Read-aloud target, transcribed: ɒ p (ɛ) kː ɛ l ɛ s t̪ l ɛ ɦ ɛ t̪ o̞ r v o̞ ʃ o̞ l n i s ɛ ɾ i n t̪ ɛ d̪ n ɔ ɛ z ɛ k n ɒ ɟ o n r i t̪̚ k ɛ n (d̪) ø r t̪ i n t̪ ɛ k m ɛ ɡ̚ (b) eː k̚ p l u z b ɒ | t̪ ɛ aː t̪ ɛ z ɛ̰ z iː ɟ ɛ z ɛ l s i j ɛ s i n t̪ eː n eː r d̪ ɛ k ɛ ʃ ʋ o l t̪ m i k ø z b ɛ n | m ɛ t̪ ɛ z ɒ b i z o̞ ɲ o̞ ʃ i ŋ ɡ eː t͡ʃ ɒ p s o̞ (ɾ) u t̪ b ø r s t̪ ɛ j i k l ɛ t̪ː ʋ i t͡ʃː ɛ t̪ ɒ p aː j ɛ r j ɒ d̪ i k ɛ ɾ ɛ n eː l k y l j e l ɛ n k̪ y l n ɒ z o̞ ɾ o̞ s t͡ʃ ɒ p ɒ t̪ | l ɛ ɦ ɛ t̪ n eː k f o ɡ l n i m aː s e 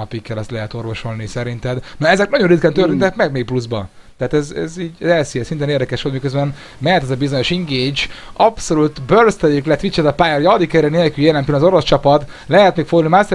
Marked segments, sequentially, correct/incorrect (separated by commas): incorrect, incorrect, incorrect, incorrect